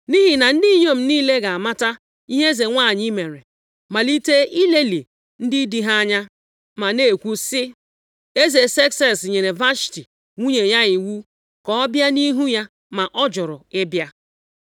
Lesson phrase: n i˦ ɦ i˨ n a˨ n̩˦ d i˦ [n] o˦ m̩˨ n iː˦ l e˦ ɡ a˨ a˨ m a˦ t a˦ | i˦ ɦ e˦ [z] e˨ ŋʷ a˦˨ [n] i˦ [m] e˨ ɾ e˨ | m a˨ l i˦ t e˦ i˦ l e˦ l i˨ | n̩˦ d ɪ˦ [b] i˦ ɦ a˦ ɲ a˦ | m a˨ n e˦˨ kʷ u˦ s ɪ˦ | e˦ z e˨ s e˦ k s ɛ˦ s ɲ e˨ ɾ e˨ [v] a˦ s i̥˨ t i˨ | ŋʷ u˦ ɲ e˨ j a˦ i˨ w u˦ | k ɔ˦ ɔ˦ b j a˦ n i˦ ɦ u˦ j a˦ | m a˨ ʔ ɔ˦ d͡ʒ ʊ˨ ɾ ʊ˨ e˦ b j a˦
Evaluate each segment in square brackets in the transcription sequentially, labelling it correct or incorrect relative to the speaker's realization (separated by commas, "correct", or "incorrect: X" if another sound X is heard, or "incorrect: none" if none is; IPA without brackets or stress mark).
incorrect: ɲ, correct, incorrect: ɲ, correct, incorrect: d, correct